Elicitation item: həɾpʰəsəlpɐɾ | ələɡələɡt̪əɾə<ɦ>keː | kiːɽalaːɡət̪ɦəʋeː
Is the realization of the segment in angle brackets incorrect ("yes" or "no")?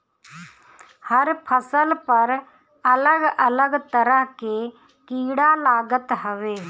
no